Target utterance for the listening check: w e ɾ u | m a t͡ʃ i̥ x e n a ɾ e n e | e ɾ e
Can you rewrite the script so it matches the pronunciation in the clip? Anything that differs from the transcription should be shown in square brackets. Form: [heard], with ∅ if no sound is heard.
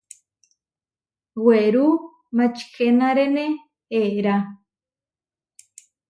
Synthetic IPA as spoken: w e ɾ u | m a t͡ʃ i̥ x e n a ɾ e n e | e ɾ [a]